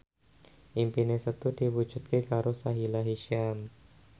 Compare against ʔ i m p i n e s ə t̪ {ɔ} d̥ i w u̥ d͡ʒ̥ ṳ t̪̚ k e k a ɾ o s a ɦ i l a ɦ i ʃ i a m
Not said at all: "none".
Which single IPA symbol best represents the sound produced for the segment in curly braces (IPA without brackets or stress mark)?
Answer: u